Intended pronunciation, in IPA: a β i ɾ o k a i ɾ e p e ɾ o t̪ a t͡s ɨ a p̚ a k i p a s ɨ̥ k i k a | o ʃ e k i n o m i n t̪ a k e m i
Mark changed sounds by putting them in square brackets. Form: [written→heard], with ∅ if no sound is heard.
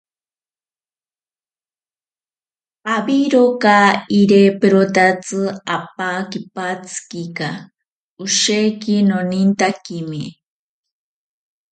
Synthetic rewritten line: a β i ɾ o k a i ɾ e p e ɾ o t̪ a t͡s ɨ a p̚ a k i p a [s→t͡s] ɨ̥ k i k a | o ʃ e k i n o [m→n] i n t̪ a k [e→i] m i